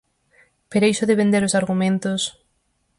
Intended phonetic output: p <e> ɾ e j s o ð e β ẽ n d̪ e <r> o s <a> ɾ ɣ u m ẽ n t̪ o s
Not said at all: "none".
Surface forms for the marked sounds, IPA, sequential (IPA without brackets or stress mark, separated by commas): e, ɾ, a